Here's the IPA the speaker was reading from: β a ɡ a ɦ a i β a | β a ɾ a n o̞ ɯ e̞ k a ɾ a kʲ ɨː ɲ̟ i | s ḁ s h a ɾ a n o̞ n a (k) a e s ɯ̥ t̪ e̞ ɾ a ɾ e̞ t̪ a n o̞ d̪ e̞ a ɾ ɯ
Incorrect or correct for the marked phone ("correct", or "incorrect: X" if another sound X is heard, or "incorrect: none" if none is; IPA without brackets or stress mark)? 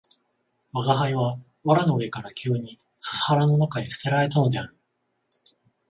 correct